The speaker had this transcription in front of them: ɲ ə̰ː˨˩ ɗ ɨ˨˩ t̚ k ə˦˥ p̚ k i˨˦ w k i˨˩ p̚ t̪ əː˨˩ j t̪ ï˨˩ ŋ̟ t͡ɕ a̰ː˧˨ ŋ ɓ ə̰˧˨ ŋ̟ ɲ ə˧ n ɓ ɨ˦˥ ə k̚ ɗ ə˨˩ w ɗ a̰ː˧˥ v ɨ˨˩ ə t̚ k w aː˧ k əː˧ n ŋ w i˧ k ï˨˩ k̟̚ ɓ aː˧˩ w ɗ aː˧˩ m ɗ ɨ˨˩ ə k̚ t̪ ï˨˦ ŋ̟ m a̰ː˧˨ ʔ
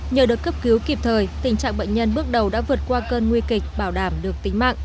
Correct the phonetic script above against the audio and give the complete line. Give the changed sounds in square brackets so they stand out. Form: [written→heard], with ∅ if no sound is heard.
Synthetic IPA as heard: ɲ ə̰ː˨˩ ɗ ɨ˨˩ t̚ k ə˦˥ p̚ k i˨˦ w k i˨˩ p̚ [t̪→t̪ʰ] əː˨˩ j t̪ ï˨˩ ŋ̟ t͡ɕ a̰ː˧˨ ŋ ɓ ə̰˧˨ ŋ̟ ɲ ə˧ n ɓ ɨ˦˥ ə k̚ ɗ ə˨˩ w ɗ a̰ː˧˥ v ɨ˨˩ ə t̚ k w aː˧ k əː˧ n ŋ w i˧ k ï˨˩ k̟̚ ɓ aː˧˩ w ɗ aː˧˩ m ɗ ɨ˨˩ ə k̚ t̪ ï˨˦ ŋ̟ m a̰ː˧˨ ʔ

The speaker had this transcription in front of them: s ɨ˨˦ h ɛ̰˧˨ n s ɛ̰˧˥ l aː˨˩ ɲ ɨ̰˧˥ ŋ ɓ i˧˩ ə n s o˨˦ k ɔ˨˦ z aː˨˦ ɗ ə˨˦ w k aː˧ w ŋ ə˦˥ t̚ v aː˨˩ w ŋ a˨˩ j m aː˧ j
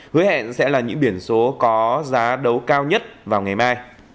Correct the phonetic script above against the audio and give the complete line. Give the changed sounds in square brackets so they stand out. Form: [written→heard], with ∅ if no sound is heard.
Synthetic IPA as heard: [s→h] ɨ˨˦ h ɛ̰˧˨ n s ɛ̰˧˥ l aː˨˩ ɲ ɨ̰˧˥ ŋ ɓ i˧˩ ə n s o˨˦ k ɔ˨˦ z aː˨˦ ɗ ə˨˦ w k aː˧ w [ŋ→ɲ] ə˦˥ t̚ v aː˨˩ w ŋ a˨˩ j m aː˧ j

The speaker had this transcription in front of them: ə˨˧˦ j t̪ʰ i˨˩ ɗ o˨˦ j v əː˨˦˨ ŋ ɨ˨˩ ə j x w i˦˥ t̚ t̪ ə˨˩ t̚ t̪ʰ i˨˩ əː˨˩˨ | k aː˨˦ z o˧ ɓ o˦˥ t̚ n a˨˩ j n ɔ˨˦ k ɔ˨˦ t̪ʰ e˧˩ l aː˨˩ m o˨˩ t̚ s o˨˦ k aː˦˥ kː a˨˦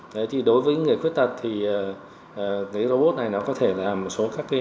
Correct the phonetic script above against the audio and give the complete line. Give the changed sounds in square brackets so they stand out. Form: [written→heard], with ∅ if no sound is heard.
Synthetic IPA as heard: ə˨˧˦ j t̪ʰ i˨˩ ɗ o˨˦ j v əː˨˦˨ ŋ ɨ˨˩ ə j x w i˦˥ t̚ t̪ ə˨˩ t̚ t̪ʰ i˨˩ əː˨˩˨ | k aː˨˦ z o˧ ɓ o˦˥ t̚ n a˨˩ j n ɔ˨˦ k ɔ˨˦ t̪ʰ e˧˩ l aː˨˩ m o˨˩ t̚ s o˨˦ k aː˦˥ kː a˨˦

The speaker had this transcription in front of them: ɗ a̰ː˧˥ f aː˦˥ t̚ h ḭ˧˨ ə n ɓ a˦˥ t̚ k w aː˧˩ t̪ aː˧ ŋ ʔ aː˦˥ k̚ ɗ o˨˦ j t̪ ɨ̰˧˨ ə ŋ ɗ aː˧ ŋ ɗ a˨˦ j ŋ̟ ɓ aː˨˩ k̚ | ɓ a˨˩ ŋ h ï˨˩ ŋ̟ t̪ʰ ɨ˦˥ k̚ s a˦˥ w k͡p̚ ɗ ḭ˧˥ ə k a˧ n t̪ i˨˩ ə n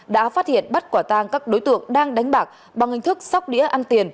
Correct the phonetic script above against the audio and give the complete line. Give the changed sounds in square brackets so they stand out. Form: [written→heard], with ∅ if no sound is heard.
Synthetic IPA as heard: ɗ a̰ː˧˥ f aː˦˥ t̚ h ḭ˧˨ ə n ɓ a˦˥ t̚ k w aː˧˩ t̪ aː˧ ŋ [ʔ→k] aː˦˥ k̚ ɗ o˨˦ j t̪ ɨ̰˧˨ ə ŋ ɗ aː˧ ŋ ɗ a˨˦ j ŋ̟ ɓ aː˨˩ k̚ | ɓ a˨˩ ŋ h ï˨˩ ŋ̟ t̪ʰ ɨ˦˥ k̚ s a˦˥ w k͡p̚ ɗ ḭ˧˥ ə [k→ʔ] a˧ n t̪ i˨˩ ə n

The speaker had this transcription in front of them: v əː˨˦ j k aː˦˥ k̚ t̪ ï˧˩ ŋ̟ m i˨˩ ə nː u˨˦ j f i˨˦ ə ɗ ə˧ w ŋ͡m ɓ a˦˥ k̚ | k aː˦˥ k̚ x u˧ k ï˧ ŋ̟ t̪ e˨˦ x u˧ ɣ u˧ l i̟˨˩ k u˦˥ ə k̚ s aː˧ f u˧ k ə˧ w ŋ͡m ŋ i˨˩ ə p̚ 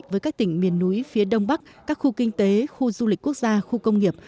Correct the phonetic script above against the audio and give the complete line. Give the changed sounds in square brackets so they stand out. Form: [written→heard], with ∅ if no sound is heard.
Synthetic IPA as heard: v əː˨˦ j k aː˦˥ k̚ t̪ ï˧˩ ŋ̟ m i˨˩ ə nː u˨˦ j f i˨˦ ə ɗ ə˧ w ŋ͡m ɓ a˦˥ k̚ | k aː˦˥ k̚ x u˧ k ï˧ ŋ̟ t̪ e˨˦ x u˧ [ɣ→z] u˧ l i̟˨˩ k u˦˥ ə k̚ [s→z] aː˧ [f→x] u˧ k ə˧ w ŋ͡m ŋ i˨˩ ə p̚

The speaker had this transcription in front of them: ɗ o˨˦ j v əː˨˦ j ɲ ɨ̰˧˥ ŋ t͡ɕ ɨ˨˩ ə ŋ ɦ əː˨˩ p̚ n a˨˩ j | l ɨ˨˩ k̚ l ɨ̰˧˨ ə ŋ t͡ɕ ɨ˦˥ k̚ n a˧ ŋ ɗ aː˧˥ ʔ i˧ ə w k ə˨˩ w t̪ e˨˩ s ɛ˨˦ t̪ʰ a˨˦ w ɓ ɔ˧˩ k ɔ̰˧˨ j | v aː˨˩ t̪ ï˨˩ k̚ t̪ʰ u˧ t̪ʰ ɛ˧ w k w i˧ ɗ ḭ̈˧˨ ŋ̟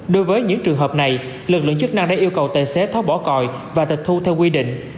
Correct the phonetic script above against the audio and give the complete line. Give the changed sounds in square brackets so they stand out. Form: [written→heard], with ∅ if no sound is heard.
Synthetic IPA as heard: ɗ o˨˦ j v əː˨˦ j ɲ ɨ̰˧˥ ŋ t͡ɕ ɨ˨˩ ə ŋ ɦ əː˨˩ p̚ n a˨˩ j | l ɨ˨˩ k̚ l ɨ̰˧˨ ə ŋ t͡ɕ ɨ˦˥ k̚ n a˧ ŋ ɗ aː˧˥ ʔ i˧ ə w k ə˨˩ w t̪ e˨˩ s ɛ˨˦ t̪ʰ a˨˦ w ɓ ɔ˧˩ k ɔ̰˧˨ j | v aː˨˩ t̪ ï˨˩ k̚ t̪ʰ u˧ t̪ʰ ɛ˧ w k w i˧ ɗ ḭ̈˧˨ ŋ̟

